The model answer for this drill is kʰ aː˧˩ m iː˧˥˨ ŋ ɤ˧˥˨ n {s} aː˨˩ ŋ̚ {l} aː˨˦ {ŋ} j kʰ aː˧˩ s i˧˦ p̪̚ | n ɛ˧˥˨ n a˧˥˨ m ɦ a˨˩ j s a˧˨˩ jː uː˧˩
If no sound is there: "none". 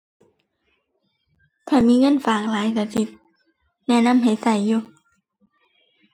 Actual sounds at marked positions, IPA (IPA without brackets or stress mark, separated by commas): f, l, none